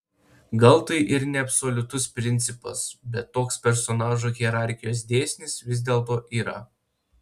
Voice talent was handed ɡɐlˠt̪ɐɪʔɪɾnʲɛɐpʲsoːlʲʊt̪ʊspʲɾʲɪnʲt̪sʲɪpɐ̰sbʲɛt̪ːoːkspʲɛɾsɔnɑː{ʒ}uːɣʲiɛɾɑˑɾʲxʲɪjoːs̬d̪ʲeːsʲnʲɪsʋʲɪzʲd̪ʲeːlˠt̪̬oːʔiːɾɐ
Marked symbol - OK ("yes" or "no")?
yes